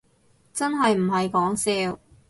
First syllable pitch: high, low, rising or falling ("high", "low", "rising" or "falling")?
high